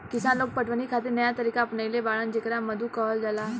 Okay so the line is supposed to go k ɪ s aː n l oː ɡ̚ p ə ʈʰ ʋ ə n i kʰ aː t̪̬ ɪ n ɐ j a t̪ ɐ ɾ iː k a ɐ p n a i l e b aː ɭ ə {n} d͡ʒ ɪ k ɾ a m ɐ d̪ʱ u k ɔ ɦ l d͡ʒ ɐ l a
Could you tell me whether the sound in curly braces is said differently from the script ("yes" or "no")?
no